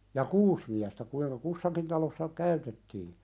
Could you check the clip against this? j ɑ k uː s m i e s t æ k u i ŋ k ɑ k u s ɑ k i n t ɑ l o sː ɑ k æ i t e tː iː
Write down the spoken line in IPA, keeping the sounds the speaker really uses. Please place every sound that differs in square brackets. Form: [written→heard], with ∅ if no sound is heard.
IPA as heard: j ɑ k uː s m i [e→æ] s t æ k u i ŋ k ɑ k u [s→sː] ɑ k i n t ɑ l o sː ɑ k æ [i→y] t e tː iː